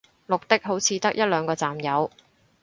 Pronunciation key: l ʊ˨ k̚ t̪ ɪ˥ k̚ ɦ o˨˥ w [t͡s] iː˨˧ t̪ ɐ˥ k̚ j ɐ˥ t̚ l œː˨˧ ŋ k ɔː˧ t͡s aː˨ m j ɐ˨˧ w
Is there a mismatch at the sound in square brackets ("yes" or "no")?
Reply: yes